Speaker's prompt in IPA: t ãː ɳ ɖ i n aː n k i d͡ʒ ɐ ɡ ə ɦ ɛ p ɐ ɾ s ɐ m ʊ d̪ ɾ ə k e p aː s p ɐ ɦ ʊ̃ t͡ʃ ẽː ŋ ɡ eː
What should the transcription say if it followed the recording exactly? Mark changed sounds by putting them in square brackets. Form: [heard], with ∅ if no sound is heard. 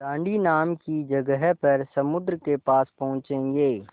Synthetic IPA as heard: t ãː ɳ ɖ i n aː [m] k i d͡ʒ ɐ ɡ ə ɦ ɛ p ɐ ɾ s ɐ m ʊ d̪ ɾ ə k e p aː s p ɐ ɦ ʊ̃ t͡ʃ ẽː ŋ ɡ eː